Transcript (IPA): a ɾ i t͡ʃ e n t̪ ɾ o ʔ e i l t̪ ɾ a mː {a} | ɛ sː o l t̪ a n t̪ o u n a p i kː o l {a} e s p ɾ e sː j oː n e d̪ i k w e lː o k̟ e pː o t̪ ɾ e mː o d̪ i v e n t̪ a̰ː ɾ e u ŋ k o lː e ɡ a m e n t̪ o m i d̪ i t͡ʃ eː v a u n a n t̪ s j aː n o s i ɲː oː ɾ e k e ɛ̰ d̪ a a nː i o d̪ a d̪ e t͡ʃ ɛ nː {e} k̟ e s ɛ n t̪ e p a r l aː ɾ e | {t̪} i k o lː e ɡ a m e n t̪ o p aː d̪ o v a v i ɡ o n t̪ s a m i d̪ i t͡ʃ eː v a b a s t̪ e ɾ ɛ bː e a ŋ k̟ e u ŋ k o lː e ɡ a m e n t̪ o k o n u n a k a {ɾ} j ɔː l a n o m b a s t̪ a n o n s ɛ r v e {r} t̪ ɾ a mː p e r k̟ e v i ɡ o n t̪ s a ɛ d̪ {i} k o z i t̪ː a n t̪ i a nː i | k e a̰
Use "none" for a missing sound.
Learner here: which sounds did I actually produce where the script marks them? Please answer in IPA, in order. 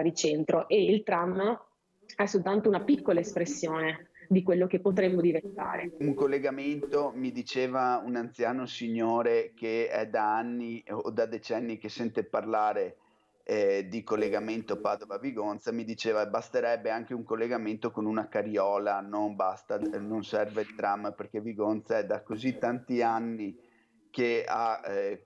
a, a, i, d̪, ɾ, l, a

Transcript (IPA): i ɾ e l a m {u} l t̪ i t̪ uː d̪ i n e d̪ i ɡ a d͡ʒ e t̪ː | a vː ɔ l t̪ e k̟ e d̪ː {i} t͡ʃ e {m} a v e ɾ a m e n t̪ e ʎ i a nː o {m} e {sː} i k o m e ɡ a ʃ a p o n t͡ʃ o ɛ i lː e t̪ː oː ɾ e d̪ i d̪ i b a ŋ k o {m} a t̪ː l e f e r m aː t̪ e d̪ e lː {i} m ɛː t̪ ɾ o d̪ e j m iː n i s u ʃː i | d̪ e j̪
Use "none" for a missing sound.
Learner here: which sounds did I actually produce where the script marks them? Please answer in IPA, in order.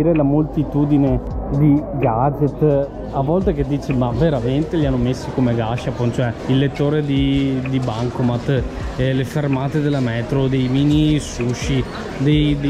o, iː, m, m, sː, m, a

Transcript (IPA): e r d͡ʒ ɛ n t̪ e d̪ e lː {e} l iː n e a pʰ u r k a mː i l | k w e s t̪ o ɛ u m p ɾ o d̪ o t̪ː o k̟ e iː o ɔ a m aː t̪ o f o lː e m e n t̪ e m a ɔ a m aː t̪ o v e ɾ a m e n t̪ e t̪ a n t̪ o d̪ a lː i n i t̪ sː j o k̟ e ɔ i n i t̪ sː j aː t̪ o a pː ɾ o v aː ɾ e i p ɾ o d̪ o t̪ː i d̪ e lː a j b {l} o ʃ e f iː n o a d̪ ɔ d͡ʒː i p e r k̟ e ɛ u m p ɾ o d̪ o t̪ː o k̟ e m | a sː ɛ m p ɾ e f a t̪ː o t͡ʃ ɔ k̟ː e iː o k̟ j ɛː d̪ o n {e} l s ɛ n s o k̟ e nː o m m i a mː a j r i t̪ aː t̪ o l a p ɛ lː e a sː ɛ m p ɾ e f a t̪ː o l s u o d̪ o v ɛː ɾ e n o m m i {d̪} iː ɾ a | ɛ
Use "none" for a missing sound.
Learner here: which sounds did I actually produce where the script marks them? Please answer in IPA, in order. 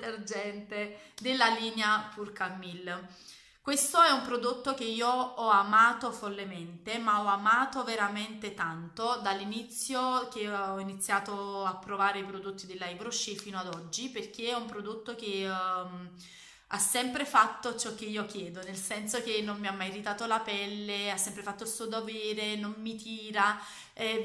a, ɾ, e, t̪

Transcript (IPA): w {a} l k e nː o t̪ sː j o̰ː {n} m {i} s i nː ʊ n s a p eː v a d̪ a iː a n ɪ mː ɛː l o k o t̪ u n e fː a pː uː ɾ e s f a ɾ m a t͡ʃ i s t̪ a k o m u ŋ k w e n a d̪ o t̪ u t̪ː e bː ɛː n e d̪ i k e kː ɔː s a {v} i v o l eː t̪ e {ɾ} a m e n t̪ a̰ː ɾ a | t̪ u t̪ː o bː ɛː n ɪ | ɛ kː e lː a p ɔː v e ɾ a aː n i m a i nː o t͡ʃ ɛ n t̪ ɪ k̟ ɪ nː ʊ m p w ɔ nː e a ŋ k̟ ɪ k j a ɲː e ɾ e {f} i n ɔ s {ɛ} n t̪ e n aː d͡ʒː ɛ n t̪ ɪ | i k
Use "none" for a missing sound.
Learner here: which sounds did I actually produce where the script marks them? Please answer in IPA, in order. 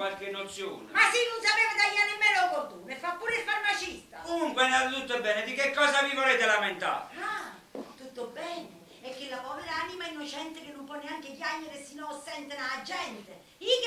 a, n, a, v, l, s, ɛ

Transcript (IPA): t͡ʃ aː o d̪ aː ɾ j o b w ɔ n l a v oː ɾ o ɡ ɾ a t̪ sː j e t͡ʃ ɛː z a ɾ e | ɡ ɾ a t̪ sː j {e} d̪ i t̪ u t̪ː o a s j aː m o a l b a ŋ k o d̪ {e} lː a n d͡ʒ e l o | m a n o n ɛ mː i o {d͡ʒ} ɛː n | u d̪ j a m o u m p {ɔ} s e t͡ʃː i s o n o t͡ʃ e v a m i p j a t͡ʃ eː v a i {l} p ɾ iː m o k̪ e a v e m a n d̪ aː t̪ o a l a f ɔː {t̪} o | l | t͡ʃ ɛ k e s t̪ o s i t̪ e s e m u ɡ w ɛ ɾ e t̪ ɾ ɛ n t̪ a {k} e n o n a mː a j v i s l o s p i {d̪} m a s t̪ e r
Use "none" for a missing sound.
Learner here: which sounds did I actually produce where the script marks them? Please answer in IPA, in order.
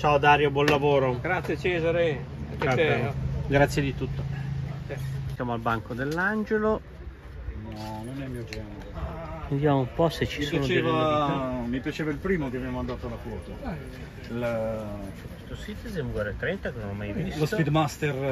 e, e, d͡ʒ, ɔ, l, t̪, k, d̪

